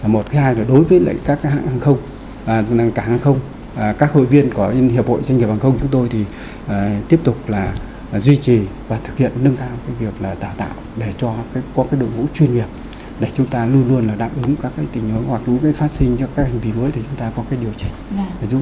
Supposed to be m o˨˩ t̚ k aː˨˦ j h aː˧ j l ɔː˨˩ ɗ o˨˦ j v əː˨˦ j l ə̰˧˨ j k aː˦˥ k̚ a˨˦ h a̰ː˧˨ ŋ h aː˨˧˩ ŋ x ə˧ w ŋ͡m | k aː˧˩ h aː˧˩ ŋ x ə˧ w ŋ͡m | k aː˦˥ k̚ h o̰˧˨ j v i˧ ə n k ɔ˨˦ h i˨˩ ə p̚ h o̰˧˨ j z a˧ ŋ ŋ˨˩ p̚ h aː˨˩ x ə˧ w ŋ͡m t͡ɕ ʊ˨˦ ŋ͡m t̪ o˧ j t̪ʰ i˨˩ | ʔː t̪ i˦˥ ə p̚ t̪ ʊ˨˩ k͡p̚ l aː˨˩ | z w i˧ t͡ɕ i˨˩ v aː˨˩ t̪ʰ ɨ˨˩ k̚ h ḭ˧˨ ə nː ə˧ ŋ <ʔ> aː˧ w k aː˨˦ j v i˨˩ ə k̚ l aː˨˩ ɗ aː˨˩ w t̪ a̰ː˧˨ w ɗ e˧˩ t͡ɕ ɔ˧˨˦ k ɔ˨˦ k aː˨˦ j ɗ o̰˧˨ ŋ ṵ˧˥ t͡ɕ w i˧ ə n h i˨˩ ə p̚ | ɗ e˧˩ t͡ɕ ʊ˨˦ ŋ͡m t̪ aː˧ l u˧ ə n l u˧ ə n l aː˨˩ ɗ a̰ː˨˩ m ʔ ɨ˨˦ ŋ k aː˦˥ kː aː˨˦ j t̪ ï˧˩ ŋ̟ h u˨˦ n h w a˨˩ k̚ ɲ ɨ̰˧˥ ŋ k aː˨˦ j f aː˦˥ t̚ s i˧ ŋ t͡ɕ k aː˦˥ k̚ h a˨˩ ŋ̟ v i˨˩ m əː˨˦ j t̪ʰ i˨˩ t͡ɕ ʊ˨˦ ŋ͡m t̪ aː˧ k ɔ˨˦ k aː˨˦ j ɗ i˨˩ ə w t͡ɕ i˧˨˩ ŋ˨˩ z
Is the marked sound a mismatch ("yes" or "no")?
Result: yes